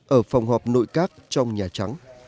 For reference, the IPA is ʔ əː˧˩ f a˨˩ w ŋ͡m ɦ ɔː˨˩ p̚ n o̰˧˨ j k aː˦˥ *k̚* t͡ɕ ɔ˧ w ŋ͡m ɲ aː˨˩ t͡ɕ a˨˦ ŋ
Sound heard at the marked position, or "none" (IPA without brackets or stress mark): k̚